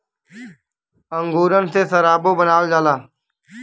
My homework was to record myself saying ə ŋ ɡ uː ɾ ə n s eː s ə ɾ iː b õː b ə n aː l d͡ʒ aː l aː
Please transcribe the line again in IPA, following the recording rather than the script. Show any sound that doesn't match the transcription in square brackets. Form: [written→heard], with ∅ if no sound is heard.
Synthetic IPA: ə ŋ ɡ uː ɾ ə n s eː s ə ɾ [iː→aː] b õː b ə n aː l d͡ʒ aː l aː

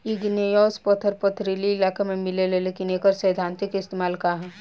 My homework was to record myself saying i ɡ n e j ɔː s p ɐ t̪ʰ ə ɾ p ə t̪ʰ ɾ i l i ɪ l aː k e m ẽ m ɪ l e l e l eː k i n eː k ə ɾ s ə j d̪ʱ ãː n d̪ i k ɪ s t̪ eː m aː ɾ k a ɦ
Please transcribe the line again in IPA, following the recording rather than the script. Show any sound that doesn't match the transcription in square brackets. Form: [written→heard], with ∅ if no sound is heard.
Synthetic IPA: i ɡ n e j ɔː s p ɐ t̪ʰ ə ɾ p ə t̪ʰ ɾ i l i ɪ l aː k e m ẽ m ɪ l e l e l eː k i n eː k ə ɾ s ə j d̪ʱ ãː n [d̪→t̪] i k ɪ s t̪ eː m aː [ɾ→l] k a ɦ

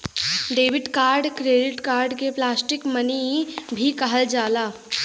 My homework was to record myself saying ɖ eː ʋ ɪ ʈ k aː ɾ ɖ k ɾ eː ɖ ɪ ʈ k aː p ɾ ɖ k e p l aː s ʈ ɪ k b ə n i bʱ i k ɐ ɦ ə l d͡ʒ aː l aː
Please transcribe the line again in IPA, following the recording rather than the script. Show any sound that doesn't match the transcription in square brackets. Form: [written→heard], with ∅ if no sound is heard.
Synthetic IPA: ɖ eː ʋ ɪ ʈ k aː ɾ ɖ k ɾ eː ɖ ɪ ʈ k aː [p→∅] ɾ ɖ k e p l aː s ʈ ɪ k [b→m] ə n i bʱ i k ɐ ɦ ə l d͡ʒ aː l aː

